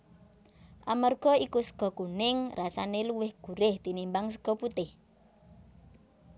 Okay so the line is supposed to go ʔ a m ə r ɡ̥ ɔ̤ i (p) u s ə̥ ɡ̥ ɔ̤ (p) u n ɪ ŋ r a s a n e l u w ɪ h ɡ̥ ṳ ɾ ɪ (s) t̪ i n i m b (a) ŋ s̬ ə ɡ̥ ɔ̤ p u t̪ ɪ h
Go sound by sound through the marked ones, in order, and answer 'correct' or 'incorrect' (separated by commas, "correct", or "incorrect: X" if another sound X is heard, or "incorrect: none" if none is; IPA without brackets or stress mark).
incorrect: k, incorrect: k, incorrect: h, correct